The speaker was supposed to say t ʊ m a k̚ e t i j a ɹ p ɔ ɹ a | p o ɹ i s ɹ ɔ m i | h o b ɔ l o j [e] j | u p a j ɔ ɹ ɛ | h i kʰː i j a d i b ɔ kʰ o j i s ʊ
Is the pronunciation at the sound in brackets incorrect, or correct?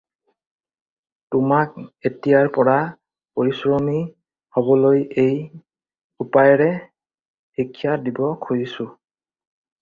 correct